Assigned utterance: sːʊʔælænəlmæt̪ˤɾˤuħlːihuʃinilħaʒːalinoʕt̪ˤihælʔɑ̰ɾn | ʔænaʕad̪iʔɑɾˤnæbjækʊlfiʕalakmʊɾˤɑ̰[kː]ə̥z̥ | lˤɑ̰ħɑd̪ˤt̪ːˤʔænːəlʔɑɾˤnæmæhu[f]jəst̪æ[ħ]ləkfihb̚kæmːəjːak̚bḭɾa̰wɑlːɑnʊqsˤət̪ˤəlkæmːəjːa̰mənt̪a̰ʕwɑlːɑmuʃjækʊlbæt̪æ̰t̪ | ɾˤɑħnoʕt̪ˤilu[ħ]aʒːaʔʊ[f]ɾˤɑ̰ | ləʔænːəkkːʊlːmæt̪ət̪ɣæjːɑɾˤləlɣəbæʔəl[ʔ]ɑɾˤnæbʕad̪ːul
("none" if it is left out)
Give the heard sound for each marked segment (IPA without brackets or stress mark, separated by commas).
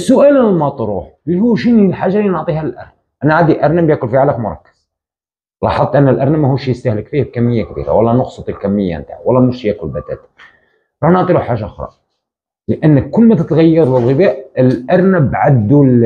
kː, ʃ, h, ħ, x, ʔ